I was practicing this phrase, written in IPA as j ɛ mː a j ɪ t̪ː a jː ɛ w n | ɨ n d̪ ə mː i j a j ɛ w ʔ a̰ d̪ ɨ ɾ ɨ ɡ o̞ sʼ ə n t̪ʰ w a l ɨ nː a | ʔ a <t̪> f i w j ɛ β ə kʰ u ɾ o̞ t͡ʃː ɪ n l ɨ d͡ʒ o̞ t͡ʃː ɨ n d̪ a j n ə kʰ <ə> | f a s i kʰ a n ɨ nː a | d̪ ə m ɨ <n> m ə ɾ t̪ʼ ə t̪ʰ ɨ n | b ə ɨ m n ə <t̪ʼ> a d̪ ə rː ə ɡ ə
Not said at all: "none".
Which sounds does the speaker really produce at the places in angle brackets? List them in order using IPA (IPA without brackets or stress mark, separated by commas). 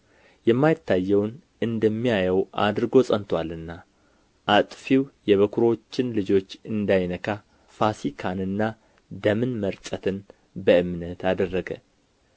t̪ʼ, a, n, t̪